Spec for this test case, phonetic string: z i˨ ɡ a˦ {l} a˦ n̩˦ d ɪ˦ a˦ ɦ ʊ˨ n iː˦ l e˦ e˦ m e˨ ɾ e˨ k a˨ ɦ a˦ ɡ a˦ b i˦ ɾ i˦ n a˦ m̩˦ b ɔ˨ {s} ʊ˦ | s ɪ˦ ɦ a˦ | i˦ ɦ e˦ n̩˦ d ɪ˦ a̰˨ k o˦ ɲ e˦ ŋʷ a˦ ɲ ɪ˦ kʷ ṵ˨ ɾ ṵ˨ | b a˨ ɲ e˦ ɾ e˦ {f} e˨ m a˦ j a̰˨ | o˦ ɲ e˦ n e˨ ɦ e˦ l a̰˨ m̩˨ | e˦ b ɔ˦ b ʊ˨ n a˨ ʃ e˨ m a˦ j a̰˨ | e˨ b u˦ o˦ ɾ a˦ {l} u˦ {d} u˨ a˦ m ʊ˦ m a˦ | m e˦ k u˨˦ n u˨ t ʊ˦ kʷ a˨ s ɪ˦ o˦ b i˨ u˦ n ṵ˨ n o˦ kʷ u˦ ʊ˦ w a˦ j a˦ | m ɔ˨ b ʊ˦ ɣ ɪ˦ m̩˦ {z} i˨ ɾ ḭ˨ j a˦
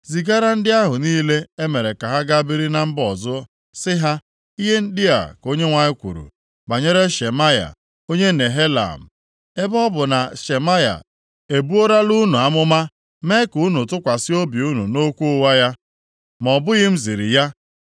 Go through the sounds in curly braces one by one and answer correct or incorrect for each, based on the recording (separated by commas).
incorrect, incorrect, incorrect, correct, incorrect, correct